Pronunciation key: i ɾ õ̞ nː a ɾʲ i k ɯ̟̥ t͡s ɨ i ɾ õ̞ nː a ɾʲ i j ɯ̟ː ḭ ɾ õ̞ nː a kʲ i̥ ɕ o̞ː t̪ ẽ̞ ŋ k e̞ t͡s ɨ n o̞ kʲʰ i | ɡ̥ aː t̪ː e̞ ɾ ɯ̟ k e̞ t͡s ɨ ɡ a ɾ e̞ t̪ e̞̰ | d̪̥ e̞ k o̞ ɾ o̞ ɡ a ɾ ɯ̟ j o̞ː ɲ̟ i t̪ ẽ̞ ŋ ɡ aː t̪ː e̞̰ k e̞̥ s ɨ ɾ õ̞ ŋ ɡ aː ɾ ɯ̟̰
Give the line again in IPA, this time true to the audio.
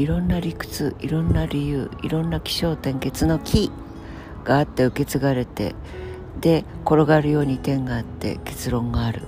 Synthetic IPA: i ɾ õ̞ nː a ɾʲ i k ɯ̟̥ t͡s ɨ i ɾ õ̞ nː a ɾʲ i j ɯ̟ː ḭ ɾ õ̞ nː a kʲ i̥ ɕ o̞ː t̪ ẽ̞ ŋ k e̞ t͡s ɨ n o̞ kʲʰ i | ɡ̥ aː t̪ː e̞ ɯ̟ k e̞ t͡s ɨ ɡ a ɾ e̞ t̪ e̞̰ | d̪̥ e̞ k o̞ ɾ o̞ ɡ a ɾ ɯ̟ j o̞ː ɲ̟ i t̪ ẽ̞ ŋ ɡ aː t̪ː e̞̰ k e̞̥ t͡s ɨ ɾ õ̞ ŋ ɡ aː ɾ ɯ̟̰